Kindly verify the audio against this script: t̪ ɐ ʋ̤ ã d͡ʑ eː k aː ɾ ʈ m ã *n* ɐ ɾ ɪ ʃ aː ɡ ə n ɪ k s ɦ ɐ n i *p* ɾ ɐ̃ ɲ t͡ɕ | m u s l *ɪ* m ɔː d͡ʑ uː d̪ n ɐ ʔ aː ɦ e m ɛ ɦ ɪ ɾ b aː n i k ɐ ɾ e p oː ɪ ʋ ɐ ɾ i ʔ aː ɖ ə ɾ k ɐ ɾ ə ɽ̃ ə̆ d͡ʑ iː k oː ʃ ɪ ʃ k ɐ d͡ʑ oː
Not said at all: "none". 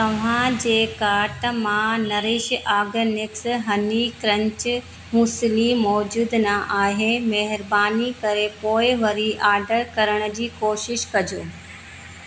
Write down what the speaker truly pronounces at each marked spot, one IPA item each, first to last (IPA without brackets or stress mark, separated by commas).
n, k, i